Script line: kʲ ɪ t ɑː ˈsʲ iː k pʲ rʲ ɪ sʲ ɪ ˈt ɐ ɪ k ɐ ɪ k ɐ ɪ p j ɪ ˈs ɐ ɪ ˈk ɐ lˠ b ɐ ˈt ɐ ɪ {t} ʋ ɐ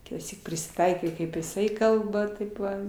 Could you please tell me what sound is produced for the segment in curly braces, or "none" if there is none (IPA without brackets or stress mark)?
p